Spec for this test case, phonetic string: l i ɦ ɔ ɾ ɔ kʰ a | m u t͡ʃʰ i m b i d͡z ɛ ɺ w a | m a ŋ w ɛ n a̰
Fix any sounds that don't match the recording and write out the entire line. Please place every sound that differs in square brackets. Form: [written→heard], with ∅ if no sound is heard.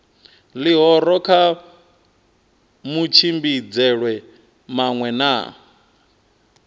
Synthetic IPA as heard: l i ɦ ɔ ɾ ɔ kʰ a | m u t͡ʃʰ i m b i d͡z ɛ ɺ w [a→ɛ] | m a ŋ w ɛ n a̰